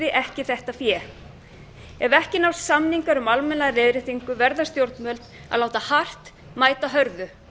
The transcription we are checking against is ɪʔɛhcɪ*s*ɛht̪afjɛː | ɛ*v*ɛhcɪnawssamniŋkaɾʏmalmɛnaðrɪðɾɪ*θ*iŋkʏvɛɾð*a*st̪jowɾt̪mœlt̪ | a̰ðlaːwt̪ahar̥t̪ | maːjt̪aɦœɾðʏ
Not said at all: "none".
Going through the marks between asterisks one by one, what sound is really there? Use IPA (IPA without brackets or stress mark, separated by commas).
θ, v, θ, a